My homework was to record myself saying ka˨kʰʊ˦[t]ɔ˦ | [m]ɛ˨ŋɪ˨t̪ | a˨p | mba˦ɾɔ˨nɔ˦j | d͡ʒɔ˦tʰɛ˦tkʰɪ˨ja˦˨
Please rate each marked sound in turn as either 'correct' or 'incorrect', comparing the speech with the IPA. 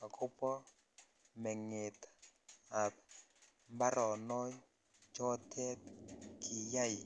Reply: incorrect: p, correct

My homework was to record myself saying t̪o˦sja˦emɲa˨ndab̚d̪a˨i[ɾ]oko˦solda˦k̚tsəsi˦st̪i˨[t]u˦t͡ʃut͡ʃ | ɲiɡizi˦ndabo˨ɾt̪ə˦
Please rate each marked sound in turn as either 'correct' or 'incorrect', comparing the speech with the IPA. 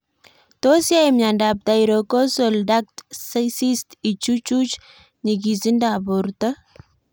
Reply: correct, incorrect: t͡ʃ

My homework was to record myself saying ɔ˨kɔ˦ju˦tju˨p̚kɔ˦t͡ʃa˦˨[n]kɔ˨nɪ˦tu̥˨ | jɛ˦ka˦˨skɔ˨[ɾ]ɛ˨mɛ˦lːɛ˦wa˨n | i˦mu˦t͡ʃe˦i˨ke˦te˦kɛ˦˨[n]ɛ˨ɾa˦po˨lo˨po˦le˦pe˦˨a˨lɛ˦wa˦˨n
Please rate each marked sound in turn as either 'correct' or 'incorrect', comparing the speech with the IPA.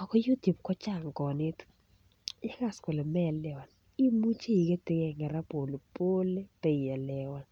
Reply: incorrect: ŋ, incorrect: l, incorrect: ŋ

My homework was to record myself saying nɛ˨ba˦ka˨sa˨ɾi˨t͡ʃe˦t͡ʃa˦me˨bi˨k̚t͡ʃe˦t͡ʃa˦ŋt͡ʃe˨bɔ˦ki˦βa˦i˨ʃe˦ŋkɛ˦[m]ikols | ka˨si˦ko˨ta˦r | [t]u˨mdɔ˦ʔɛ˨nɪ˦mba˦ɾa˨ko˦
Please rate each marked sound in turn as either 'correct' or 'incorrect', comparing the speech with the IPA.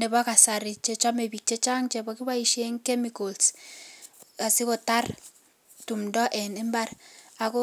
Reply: correct, correct

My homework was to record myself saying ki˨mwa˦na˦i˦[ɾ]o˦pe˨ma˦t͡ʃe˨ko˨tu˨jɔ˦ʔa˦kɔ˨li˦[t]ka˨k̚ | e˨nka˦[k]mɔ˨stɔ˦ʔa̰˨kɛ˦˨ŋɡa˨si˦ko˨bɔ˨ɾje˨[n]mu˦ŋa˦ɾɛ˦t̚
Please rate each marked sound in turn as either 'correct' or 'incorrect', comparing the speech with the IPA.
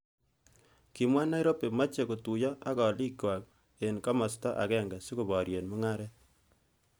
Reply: correct, incorrect: none, incorrect: none, correct

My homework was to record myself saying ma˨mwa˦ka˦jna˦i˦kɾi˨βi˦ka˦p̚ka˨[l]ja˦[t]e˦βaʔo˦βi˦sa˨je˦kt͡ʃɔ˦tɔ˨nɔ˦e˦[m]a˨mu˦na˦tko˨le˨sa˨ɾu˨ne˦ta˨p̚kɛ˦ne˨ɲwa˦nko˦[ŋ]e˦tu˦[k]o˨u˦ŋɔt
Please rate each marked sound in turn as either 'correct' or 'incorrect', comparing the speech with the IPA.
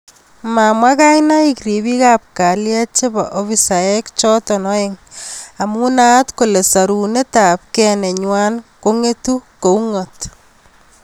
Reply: correct, incorrect: t͡ʃ, incorrect: ŋ, correct, correct

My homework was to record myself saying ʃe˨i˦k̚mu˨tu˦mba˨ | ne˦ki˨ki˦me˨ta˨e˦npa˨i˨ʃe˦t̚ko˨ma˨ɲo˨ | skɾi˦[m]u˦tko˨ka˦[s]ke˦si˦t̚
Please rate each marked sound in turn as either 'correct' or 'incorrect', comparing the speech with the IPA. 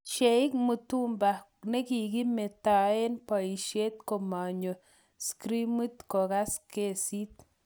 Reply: correct, correct

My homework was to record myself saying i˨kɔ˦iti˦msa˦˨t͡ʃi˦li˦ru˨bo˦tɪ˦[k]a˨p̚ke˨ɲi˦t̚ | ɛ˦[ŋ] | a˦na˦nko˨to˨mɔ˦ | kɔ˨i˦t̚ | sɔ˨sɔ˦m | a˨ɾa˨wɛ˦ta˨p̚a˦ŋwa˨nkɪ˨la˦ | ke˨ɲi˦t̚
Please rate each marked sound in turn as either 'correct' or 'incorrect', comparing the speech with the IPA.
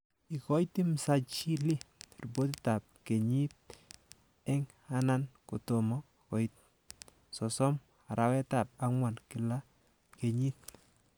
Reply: incorrect: t, correct

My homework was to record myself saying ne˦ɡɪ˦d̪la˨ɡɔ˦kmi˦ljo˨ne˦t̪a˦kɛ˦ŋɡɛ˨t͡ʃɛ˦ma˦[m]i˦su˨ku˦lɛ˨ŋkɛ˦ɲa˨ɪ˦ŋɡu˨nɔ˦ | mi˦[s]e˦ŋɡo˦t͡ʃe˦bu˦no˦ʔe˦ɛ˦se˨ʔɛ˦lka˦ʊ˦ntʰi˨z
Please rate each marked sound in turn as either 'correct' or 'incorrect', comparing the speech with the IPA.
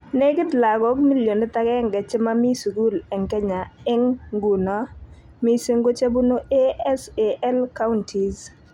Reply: correct, correct

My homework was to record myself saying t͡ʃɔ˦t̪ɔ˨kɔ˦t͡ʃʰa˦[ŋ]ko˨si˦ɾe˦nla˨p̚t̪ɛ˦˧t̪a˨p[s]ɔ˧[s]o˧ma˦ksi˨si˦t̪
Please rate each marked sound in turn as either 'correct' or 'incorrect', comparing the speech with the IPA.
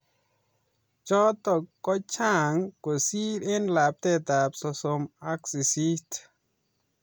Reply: correct, correct, correct

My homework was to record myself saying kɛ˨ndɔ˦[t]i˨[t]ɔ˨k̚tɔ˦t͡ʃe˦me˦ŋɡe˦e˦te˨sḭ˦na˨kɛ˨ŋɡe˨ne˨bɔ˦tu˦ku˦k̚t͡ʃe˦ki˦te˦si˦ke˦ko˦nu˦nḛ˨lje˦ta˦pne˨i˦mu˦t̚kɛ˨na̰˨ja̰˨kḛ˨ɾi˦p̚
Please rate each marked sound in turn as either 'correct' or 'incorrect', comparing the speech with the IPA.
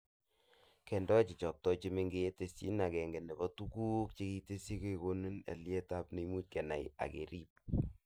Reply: incorrect: t͡ʃ, incorrect: t͡ʃ

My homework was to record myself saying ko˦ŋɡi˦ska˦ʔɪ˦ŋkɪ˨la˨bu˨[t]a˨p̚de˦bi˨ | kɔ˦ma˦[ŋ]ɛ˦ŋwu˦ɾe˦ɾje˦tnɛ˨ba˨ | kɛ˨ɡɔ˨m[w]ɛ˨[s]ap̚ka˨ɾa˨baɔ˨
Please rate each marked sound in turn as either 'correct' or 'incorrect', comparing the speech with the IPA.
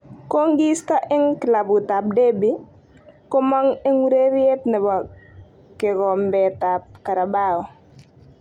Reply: correct, correct, incorrect: b, incorrect: t

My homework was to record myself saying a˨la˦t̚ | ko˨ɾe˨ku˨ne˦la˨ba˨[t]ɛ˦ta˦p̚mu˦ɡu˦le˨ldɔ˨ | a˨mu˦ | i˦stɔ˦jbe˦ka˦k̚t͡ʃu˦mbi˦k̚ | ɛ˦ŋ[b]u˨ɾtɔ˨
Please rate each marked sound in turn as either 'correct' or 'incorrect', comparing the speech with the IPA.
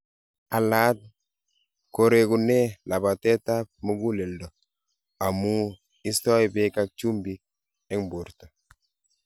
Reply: correct, correct

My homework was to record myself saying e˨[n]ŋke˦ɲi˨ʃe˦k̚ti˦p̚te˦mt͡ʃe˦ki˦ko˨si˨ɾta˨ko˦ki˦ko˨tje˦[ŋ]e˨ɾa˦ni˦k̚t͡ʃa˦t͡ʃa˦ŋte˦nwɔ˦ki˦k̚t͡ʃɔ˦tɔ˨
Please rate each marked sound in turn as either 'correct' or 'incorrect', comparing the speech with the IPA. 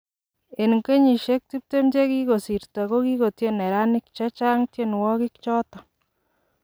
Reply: correct, incorrect: n

